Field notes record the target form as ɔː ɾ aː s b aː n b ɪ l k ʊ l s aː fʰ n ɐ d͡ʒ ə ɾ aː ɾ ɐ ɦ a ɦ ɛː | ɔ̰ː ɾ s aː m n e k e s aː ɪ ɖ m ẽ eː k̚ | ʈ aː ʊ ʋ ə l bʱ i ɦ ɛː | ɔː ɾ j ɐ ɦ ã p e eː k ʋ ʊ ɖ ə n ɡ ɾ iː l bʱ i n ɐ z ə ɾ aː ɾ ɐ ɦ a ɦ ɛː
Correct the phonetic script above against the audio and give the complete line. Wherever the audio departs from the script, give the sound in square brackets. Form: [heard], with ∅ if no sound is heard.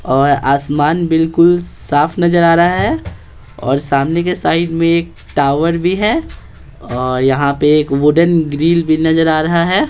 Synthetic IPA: ɔː ɾ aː s [m] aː n b ɪ l k ʊ l s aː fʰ n ɐ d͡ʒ ə ɾ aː ɾ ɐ ɦ a ɦ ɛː | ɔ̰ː ɾ s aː m n e k e s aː ɪ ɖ m ẽ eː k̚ | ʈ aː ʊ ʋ ə [ɾ] bʱ i ɦ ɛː | ɔː ɾ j ɐ ɦ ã p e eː k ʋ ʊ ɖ ə n ɡ ɾ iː l bʱ i n ɐ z ə ɾ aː ɾ ɐ ɦ a ɦ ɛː

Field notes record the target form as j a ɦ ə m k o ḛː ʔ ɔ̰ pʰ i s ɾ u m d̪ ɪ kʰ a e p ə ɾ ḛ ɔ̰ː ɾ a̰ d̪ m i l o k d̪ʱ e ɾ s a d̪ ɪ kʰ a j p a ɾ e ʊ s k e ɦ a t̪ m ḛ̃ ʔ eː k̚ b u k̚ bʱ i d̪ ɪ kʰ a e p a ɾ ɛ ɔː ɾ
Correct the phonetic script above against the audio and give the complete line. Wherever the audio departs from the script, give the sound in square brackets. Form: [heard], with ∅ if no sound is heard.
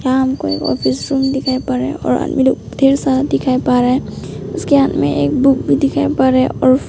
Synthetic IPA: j a ɦ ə m k o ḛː [k] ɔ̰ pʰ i s ɾ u m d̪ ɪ kʰ a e p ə ɾ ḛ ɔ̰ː ɾ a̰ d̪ m i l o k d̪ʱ e ɾ s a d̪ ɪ kʰ a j p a ɾ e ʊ s k e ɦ a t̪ m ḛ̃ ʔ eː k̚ b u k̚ bʱ i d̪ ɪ kʰ a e p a ɾ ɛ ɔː ɾ

